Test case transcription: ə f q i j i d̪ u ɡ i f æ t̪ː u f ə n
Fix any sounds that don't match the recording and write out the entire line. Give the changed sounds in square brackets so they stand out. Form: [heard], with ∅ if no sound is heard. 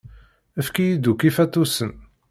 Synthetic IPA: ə f [k] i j i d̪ u [k] i f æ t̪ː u [s] ə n